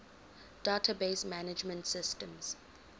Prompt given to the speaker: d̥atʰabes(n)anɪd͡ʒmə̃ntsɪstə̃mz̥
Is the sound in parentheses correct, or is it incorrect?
incorrect: m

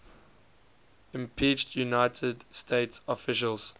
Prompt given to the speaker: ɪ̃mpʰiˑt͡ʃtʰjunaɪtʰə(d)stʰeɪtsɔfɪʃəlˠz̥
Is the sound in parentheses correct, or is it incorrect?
correct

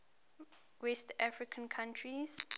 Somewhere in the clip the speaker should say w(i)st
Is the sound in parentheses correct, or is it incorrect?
incorrect: ɛ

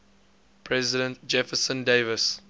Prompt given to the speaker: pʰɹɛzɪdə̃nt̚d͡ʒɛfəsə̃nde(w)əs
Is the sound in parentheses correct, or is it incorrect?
incorrect: v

